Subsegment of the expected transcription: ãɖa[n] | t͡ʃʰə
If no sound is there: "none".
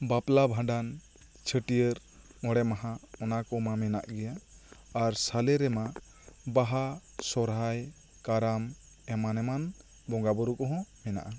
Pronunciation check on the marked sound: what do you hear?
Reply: n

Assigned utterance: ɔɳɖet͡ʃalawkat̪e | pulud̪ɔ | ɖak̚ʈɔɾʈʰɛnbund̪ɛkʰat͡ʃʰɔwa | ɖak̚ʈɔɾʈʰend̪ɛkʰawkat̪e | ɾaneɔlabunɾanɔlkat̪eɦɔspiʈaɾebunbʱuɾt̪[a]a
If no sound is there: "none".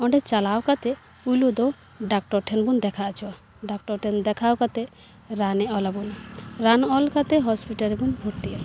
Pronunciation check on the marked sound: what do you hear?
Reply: i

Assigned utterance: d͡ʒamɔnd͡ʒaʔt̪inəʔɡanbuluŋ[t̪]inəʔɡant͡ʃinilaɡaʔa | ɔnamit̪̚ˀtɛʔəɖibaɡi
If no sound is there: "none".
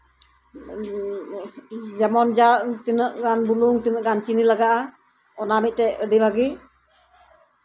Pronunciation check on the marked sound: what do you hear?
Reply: t̪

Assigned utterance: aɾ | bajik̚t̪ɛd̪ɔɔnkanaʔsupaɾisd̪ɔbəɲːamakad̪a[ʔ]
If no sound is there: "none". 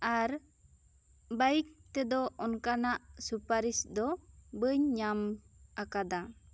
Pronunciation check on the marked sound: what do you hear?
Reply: none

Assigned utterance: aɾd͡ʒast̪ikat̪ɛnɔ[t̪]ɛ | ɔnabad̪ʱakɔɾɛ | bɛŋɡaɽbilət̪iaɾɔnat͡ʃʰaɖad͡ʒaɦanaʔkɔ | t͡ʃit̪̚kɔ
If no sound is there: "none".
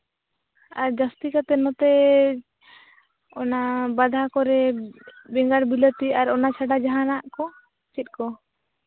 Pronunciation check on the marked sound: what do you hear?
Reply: t̪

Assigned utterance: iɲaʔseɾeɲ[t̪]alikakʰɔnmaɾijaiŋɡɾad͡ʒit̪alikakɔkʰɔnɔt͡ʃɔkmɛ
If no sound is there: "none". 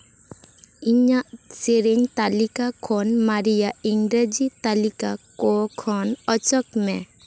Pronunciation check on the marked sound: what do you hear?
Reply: t̪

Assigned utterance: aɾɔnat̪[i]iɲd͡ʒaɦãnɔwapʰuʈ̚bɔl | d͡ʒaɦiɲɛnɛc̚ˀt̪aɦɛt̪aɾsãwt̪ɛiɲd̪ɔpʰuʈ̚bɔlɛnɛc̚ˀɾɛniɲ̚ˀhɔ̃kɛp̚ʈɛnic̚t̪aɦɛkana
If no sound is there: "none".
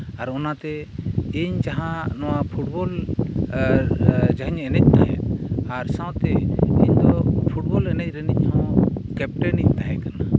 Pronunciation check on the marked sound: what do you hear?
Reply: ɛ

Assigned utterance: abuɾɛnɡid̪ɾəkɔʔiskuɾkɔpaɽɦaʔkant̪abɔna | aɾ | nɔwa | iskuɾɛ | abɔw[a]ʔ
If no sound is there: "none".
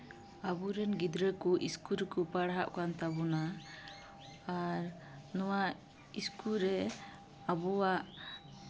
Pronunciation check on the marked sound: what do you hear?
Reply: a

